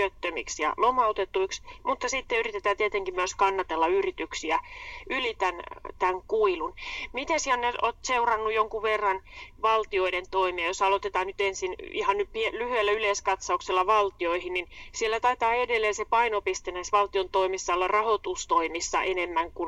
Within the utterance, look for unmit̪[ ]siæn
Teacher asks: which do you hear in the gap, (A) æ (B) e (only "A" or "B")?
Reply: B